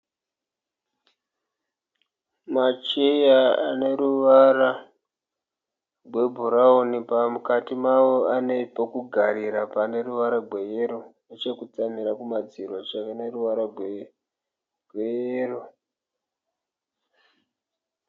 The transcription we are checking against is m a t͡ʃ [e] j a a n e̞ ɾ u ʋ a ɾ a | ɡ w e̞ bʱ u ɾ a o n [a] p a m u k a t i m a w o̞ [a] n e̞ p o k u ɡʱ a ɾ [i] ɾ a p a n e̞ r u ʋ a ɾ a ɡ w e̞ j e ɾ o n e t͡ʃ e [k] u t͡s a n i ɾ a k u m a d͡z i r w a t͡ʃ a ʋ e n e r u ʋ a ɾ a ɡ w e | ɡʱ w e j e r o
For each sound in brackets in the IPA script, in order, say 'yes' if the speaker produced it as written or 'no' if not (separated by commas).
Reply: yes, no, yes, yes, yes